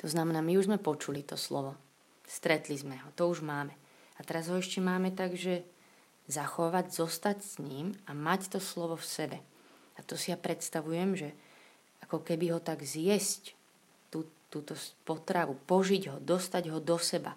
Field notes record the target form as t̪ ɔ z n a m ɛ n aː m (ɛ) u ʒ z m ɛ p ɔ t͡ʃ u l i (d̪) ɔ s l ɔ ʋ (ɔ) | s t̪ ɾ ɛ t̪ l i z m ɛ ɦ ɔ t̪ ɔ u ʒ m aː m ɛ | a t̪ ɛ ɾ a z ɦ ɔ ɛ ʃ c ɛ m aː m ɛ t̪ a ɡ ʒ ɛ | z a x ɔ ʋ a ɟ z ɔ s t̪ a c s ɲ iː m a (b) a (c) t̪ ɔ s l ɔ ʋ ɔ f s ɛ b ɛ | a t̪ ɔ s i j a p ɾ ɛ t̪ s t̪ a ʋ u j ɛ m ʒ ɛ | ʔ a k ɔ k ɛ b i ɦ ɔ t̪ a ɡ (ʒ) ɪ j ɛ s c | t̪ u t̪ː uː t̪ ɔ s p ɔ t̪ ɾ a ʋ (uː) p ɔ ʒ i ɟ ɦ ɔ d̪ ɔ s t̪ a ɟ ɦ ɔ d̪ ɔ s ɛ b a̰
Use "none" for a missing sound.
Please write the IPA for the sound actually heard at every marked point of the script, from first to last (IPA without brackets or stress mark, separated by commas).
i, t̪, ɔ, m, c, z, u